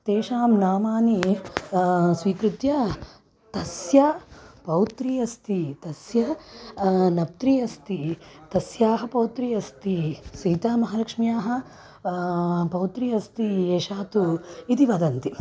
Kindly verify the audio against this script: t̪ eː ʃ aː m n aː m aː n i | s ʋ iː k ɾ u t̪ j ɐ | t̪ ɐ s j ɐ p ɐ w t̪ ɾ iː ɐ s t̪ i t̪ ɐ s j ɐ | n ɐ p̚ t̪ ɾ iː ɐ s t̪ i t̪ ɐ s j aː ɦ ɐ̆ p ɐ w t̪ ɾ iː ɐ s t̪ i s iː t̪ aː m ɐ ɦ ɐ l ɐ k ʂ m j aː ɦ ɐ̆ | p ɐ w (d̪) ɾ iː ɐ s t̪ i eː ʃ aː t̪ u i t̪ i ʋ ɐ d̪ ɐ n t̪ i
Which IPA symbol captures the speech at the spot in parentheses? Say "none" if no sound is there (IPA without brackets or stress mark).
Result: t̪